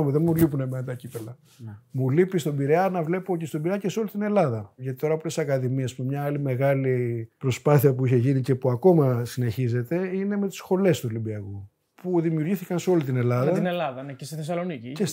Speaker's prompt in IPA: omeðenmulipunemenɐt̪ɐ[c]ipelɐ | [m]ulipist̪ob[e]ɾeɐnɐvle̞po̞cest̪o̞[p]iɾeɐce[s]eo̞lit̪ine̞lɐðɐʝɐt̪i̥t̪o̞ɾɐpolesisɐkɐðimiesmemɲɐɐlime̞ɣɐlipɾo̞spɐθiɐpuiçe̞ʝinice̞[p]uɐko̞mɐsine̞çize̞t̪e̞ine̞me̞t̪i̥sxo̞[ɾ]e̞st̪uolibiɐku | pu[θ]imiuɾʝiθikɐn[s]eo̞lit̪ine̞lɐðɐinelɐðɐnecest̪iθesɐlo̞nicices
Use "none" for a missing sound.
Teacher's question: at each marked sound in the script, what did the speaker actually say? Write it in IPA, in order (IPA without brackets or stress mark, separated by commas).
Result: c, m, i, b, s, p, l, ð, s